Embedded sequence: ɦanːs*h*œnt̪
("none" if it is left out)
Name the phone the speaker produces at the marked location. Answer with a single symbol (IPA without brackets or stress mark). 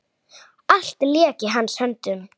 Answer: h